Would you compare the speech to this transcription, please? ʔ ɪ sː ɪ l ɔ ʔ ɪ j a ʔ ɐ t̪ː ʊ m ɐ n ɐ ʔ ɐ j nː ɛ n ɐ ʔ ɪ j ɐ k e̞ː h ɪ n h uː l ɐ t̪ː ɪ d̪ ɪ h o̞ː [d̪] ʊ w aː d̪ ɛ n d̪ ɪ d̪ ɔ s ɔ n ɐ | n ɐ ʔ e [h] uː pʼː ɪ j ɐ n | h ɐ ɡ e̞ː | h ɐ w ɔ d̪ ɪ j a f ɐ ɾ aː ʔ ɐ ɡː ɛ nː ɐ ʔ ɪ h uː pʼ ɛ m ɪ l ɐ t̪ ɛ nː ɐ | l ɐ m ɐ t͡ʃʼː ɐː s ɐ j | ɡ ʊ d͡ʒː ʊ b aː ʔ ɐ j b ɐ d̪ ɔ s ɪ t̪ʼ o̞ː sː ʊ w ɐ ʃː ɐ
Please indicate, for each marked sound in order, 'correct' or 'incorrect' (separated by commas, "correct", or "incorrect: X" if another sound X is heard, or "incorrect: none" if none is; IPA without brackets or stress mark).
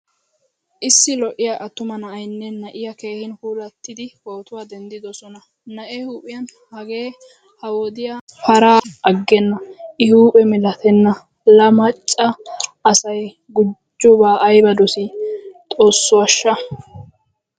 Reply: incorrect: t̪, correct